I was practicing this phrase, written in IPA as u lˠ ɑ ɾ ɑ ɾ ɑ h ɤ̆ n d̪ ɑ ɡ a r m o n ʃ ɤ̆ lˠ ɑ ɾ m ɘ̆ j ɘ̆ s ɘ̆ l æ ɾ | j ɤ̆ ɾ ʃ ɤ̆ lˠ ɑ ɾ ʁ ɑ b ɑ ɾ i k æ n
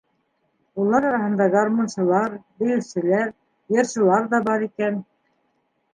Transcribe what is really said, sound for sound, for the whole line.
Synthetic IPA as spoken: u lˠ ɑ ɾ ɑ ɾ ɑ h ɤ̆ n d̪ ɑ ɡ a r m o n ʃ ɤ̆ lˠ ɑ ɾ b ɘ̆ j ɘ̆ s ɘ̆ l æ ɾ | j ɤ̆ ɾ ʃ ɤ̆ lˠ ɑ ɾ ð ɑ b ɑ ɾ i k æ n